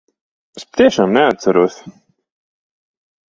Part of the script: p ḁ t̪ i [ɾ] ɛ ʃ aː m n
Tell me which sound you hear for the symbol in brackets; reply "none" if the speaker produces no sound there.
none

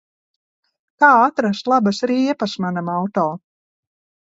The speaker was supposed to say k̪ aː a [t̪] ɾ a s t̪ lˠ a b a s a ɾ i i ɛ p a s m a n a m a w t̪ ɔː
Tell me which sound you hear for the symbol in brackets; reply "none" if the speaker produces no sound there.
t̪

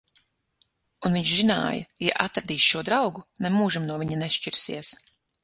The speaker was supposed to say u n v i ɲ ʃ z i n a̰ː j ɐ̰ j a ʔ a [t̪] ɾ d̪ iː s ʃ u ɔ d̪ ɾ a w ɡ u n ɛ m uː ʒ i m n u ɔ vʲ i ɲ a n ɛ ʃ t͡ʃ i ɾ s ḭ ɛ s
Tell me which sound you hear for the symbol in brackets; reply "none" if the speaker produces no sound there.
t̪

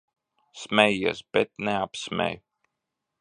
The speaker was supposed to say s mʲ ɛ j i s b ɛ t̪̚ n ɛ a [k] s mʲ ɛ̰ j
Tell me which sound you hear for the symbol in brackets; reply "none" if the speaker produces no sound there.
p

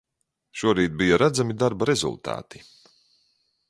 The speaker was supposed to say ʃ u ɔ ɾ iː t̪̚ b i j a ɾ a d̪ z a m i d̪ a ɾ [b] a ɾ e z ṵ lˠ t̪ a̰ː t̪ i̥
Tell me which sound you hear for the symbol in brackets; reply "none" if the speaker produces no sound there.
b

